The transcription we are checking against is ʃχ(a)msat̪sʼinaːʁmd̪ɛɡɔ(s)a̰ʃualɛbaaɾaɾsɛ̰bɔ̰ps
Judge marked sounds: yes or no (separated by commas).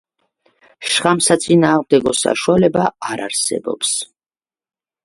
yes, yes